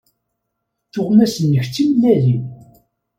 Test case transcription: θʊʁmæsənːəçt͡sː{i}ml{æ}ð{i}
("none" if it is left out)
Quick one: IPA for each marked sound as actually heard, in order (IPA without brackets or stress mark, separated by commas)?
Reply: i, æ, i